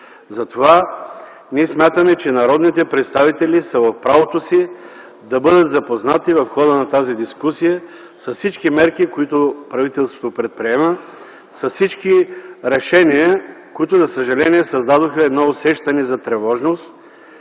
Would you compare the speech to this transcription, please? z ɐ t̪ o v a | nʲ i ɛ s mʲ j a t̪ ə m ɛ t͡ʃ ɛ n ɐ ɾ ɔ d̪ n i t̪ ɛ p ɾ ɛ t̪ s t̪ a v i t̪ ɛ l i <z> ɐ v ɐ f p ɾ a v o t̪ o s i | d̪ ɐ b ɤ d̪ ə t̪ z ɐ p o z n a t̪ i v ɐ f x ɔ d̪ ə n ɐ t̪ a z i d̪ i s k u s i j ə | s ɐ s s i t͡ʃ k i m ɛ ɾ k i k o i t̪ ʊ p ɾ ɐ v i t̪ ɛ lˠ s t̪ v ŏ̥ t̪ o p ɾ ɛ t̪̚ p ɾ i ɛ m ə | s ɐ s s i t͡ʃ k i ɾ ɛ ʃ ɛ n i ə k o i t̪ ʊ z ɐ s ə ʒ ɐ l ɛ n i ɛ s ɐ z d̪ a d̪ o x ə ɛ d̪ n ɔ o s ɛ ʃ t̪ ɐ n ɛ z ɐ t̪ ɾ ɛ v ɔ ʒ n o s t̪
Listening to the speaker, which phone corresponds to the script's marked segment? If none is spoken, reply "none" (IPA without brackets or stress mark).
s